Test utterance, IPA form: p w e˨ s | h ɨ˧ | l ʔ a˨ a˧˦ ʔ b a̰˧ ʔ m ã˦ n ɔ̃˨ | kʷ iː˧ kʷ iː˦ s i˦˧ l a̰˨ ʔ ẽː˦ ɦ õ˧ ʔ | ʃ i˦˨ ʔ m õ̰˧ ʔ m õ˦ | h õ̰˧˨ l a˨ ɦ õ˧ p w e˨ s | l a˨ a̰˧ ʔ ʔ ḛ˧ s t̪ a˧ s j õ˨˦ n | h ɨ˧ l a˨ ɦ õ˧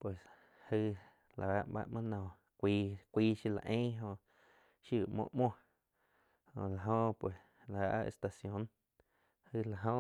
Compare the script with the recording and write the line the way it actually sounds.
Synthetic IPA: p w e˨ s | h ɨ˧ | l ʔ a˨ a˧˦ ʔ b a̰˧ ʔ m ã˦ n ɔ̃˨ | kʷ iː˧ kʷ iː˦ ʃ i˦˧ l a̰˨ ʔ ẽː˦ ɦ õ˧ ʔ | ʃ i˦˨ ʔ m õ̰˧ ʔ m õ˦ | h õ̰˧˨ l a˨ ɦ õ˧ p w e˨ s | l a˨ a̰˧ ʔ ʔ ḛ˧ s t̪ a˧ s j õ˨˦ n | h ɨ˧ l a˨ ɦ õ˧